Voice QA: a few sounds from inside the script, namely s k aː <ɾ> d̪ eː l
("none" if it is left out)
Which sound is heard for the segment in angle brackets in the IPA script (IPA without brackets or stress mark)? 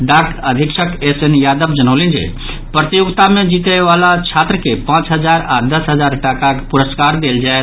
ɾ